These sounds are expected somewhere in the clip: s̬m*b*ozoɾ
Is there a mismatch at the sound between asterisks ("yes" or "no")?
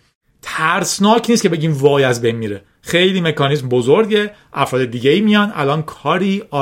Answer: no